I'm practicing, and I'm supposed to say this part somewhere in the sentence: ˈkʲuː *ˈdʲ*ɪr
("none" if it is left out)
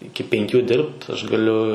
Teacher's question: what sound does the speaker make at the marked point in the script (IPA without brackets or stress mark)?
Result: dʲ